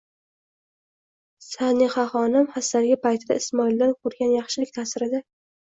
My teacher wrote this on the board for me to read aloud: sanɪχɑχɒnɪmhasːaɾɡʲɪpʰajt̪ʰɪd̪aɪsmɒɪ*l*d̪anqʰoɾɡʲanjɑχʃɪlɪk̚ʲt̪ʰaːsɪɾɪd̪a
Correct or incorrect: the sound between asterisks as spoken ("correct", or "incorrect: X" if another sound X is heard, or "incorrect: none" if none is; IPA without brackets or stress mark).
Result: correct